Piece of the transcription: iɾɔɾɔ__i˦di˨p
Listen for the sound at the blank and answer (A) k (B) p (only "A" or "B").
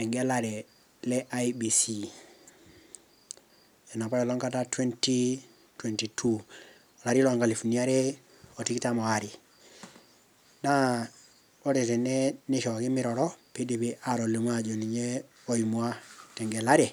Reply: B